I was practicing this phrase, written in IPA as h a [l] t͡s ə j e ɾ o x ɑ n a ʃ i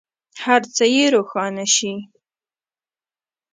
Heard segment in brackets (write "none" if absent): ɾ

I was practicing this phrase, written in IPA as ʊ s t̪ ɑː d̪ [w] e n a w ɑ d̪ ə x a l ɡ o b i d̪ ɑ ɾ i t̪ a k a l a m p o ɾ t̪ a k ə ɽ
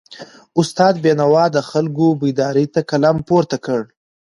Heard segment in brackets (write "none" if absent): b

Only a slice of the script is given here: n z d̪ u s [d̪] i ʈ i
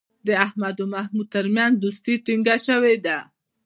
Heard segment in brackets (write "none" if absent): t̪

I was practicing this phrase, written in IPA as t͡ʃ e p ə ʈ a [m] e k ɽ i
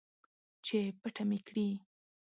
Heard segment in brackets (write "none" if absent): m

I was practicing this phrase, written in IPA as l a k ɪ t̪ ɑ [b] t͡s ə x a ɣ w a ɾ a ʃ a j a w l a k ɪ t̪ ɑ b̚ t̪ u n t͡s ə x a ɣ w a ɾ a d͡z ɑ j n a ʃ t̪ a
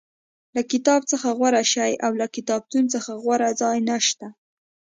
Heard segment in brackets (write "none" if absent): b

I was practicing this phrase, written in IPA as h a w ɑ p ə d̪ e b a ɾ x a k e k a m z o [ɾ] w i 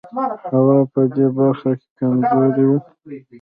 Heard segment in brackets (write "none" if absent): ɾ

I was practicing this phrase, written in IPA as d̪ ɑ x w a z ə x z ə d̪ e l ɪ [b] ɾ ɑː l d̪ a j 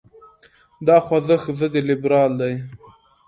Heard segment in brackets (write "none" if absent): b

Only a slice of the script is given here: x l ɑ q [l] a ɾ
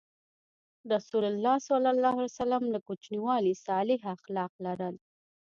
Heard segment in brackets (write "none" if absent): l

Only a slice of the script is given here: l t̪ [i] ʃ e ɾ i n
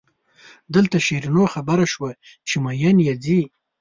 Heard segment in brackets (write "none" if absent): a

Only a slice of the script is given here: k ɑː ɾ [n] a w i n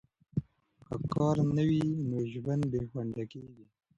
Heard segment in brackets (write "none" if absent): n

